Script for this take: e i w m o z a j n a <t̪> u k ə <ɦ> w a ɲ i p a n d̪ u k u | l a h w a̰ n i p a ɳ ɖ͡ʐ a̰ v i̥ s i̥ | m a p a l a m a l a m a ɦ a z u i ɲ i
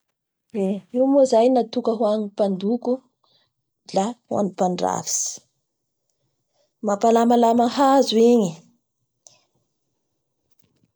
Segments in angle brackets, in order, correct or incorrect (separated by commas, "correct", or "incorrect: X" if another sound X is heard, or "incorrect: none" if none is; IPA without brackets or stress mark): correct, correct